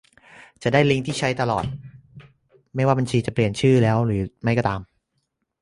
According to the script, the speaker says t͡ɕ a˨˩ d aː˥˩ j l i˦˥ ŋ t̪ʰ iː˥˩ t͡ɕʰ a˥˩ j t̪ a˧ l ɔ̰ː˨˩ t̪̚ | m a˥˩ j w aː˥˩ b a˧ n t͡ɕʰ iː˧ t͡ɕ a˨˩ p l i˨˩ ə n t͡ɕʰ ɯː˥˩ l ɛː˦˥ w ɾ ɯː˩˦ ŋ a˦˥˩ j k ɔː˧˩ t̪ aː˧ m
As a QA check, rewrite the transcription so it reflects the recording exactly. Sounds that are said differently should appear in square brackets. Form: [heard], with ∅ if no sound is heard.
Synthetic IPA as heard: t͡ɕ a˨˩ d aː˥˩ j l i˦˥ ŋ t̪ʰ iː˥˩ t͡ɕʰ [a˦˥] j t̪ a˧ l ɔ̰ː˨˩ t̪̚ | m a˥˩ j w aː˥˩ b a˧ n t͡ɕʰ iː˧ t͡ɕ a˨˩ p l i˨˩ ə n t͡ɕʰ ɯː˥˩ l ɛː˦˥ w ɾ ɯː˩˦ [m] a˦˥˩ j k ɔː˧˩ t̪ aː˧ m